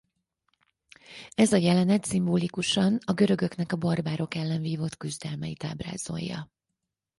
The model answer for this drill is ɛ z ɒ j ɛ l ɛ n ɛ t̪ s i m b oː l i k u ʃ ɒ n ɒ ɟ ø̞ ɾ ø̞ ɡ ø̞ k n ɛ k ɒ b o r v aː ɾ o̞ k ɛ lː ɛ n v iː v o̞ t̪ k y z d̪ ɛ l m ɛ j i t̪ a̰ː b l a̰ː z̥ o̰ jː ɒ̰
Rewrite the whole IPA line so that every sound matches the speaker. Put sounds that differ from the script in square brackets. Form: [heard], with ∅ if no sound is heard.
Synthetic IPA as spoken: ɛ z ɒ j ɛ l ɛ n ɛ t̪ s i m b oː l i k u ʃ ɒ n ɒ [ɡ] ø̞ ɾ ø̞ ɡ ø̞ k n ɛ k ɒ b o r [b] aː ɾ o̞ k ɛ lː ɛ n v iː v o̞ t̪ k y z d̪ ɛ l m ɛ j i t̪ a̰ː b [r] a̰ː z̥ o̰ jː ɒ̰